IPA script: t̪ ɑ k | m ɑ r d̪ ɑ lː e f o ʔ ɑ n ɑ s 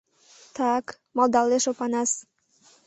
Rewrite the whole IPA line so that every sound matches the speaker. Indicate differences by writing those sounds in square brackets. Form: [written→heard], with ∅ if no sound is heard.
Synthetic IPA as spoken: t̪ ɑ k | m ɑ [r→l] d̪ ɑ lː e [f→ʃ] o [ʔ→p] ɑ n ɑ s